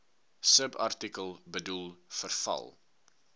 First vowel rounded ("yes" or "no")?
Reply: no